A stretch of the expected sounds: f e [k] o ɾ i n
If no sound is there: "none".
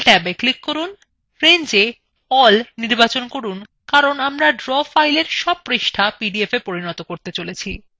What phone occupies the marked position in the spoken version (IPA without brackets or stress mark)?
p